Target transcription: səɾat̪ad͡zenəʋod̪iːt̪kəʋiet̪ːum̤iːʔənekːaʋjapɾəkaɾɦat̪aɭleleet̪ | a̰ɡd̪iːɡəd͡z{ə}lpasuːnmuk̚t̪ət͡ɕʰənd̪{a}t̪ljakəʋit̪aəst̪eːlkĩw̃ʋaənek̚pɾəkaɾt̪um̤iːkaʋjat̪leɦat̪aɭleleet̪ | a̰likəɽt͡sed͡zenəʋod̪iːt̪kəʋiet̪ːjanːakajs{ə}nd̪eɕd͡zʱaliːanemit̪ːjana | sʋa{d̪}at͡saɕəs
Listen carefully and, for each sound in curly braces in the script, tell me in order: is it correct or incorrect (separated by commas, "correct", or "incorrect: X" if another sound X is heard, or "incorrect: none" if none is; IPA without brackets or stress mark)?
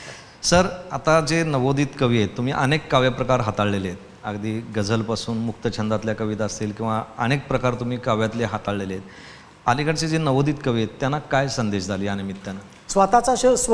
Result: correct, correct, correct, incorrect: t̪